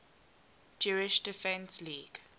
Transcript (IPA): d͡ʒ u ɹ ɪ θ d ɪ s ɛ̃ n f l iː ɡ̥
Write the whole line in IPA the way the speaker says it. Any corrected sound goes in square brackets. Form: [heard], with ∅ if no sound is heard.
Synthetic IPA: d͡ʒ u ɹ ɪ [ʃ] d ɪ [f] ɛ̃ n [s] l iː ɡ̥